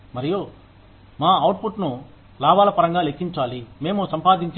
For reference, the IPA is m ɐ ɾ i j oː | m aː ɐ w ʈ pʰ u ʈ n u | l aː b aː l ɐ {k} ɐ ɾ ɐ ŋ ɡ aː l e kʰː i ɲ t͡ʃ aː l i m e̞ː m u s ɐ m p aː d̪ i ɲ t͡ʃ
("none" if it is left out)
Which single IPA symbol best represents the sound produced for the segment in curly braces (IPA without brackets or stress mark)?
p